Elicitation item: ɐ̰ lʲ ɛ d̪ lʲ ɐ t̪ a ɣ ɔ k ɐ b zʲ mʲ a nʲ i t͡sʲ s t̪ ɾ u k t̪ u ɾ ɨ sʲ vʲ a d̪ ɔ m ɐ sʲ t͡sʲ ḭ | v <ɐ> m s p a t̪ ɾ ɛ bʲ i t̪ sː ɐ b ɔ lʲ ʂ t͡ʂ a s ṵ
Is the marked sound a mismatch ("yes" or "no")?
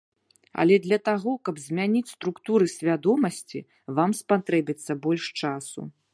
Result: yes